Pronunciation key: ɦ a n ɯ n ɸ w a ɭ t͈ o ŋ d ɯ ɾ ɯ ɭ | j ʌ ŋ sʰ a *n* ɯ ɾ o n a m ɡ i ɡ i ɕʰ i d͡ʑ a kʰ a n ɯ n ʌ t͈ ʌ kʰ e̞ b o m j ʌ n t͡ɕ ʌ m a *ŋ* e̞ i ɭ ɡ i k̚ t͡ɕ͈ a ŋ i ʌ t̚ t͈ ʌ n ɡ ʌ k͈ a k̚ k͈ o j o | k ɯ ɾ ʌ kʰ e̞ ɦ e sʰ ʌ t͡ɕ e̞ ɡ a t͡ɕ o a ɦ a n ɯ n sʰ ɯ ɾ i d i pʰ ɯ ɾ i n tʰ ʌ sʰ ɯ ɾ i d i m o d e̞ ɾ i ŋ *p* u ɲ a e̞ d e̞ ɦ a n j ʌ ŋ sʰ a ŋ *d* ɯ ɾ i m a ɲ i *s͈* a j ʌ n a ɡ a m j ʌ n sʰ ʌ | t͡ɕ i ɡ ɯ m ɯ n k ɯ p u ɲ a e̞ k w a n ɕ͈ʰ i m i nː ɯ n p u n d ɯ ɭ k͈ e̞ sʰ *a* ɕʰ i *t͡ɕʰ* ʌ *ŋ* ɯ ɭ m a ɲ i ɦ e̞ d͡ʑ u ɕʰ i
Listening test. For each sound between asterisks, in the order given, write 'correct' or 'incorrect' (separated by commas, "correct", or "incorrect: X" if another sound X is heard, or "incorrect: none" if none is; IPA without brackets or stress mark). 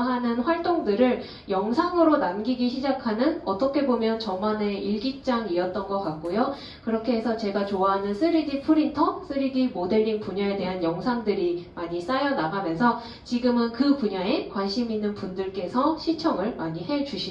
incorrect: ŋ, incorrect: n, correct, correct, correct, incorrect: ʌ, correct, correct